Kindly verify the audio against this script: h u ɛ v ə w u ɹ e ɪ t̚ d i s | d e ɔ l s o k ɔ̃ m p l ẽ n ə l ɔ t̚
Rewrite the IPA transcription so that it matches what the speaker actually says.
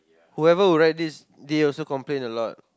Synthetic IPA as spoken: h u ɛ v ə w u ɹ a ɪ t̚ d i s | d e ɔ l s o k ɔ̃ m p l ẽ n ə l ɔ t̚